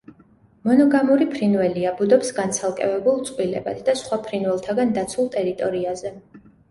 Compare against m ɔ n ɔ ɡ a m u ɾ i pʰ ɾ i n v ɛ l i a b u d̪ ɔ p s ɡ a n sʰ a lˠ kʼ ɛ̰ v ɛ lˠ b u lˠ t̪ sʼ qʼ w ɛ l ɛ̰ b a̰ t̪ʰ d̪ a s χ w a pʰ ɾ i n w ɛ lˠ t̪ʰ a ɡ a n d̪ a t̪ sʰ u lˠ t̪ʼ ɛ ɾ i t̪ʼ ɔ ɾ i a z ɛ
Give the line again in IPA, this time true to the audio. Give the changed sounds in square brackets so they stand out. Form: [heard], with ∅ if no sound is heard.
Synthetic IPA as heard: m ɔ n ɔ ɡ a m u ɾ i pʰ ɾ i n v ɛ l i a b u d̪ ɔ p s ɡ a n sʰ a lˠ kʼ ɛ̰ v ɛ [∅] b u lˠ t̪ sʼ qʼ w [i] l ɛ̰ b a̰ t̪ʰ d̪ a s χ w a pʰ ɾ i n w ɛ lˠ t̪ʰ a ɡ a n d̪ a t̪ sʰ u lˠ t̪ʼ ɛ ɾ i t̪ʼ ɔ ɾ i a z ɛ